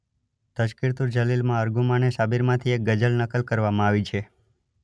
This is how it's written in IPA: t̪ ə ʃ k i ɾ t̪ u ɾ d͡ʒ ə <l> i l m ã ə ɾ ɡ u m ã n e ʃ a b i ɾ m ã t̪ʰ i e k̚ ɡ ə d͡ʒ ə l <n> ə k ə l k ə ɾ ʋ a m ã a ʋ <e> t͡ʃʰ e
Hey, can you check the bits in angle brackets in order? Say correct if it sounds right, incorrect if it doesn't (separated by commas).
correct, correct, incorrect